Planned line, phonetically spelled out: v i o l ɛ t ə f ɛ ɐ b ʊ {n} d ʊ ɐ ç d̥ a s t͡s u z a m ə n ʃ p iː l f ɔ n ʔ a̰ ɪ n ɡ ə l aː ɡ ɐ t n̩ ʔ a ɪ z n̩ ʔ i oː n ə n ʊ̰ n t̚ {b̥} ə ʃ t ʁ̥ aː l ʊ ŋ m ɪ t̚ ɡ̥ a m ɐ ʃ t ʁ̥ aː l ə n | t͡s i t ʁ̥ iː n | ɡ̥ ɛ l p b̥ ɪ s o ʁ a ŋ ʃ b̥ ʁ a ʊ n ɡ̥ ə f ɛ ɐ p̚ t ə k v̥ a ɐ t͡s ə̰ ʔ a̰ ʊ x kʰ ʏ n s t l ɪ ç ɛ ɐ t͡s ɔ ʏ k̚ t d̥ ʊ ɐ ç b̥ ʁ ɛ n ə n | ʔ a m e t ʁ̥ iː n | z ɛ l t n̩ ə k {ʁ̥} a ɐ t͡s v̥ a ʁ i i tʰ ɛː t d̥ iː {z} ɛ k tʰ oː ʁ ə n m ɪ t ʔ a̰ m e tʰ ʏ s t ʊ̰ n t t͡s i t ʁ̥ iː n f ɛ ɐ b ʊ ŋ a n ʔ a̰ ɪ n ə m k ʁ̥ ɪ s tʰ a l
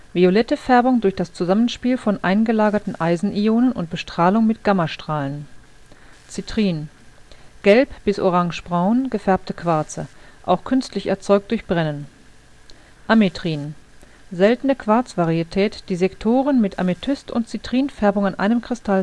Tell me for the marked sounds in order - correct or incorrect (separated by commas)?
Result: incorrect, correct, incorrect, correct